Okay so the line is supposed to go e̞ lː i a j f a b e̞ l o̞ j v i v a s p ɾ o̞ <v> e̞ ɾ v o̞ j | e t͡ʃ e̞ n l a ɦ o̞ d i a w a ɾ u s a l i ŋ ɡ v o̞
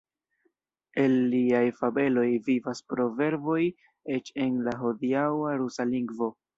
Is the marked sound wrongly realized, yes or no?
no